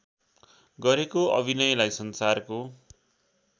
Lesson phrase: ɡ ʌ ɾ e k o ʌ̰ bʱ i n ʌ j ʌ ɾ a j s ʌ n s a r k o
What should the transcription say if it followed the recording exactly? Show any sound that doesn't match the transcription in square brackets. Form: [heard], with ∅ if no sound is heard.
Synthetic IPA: ɡ ʌ ɾ e k o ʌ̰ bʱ i n ʌ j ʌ [l] a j s ʌ n s a r k o